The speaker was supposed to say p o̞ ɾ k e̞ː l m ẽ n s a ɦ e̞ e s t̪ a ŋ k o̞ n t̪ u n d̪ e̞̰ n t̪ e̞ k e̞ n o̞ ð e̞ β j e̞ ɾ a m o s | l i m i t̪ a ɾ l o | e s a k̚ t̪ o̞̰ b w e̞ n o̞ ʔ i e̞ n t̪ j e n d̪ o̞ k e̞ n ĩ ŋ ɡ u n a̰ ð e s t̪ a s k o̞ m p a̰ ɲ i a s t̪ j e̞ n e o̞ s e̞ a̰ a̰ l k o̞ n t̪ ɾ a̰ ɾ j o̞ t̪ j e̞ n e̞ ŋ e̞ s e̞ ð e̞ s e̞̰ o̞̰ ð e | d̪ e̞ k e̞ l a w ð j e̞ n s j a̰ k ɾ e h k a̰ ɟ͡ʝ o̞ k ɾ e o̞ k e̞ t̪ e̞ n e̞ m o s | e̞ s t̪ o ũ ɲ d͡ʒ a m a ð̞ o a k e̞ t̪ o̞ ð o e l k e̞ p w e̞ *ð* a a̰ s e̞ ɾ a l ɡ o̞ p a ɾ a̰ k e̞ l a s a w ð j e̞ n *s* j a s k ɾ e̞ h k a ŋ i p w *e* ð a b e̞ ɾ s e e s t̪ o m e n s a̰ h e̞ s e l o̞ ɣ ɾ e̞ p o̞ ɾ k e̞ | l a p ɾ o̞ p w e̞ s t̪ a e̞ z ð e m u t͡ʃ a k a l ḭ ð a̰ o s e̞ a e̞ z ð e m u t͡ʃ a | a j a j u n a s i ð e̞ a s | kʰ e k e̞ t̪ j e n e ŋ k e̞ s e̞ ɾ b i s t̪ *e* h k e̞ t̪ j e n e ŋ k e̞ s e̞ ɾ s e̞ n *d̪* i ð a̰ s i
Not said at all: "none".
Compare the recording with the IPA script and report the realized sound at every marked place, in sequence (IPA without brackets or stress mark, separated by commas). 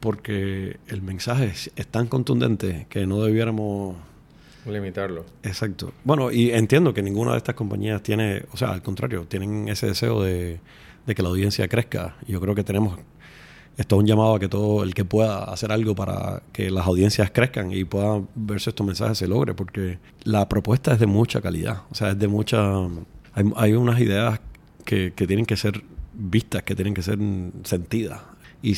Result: ð, s, e, a, t̪